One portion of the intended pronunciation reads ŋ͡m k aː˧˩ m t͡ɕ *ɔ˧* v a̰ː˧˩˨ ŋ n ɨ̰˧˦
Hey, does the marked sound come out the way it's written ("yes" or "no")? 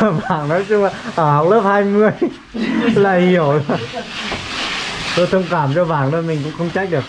yes